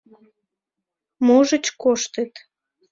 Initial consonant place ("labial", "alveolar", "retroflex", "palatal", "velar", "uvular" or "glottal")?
labial